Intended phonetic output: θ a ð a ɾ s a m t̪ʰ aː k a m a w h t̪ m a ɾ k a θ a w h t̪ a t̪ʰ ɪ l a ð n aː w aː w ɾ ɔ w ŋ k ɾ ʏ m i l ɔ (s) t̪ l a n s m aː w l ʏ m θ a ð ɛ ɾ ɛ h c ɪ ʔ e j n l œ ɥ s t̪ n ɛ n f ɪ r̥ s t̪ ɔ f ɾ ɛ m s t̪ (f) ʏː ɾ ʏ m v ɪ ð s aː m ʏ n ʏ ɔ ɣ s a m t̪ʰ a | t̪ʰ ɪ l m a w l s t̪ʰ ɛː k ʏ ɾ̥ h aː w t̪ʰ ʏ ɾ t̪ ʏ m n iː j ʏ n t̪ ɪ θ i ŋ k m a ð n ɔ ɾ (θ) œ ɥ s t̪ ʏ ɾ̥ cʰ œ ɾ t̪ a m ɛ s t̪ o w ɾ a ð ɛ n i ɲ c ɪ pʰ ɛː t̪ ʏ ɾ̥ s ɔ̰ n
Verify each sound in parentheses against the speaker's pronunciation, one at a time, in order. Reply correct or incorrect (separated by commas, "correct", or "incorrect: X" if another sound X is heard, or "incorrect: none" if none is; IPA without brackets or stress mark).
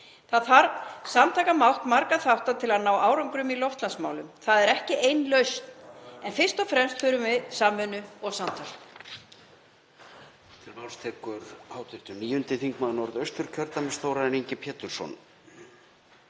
incorrect: f, correct, incorrect: ð